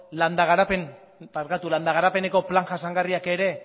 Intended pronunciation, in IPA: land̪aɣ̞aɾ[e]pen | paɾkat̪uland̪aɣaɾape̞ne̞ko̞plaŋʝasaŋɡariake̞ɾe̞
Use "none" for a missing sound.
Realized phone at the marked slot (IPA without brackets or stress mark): a